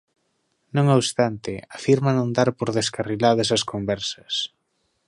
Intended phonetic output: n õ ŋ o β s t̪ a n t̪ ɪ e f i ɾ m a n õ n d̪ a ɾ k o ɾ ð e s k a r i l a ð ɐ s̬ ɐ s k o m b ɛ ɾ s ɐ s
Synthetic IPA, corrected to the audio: n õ ŋ o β s t̪ a n t̪ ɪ a f i ɾ m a n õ n d̪ a ɾ p o ɾ ð e s k a r i l a ð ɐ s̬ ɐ s k o m b ɛ ɾ s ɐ s